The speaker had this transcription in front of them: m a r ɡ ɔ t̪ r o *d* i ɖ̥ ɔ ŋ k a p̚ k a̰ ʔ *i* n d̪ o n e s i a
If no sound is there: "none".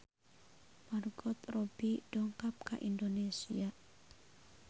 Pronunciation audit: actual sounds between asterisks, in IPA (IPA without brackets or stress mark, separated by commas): b, i